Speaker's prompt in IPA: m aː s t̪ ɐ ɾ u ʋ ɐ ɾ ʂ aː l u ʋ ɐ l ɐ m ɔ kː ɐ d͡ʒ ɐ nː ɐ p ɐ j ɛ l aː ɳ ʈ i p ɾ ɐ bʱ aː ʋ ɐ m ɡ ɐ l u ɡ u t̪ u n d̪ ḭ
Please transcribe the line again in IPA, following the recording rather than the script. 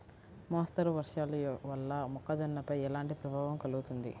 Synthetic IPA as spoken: m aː s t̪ ɐ ɾ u ʋ ɐ ɾ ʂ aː l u ʋ ɐ lː ɐ m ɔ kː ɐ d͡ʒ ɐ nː ɐ p ɐ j ɛ l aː ɳ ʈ i p ɾ ɐ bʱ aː ʋ ɐ m k ɐ l u ɡ u t̪ u n d̪ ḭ